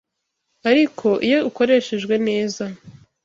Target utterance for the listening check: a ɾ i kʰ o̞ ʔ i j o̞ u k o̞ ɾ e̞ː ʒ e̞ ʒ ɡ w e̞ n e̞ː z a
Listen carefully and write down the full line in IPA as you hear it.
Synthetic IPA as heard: a ɾ i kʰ o̞ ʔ i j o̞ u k o̞ ɾ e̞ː ʃ e̞ ʒ ɡ w e̞ n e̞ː z a